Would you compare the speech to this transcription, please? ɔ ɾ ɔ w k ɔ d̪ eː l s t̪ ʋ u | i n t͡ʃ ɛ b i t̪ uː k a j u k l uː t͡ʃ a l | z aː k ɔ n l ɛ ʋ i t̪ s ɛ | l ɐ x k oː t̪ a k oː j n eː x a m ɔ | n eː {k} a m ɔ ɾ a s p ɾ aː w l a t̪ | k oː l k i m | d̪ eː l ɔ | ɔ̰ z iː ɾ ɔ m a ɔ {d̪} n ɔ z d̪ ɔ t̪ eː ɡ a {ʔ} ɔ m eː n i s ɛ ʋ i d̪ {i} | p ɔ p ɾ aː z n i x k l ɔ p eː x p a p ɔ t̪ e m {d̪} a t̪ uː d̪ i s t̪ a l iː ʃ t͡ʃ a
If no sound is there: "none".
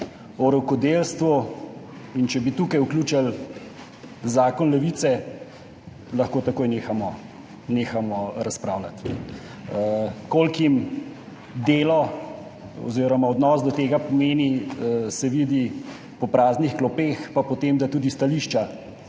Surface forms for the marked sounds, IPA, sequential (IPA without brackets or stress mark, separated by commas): x, d̪, p, i, d̪